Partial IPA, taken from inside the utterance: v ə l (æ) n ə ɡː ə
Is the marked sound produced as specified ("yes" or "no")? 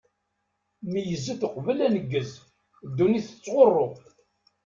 yes